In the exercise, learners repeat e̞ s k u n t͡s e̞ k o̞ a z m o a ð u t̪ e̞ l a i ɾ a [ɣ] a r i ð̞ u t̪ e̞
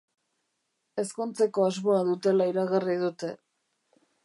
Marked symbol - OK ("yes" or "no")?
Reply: yes